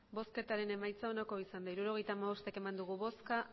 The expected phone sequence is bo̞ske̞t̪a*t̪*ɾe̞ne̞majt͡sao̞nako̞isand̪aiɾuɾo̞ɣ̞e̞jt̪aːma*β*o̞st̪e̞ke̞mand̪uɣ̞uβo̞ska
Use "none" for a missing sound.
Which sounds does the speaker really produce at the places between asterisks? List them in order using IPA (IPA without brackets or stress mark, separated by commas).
none, β